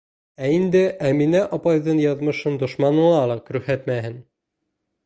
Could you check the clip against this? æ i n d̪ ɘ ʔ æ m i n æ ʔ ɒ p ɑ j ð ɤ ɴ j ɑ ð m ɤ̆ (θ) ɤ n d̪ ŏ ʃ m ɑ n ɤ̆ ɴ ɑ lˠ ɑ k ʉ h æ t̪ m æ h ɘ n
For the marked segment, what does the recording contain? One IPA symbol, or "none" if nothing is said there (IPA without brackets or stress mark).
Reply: ʃ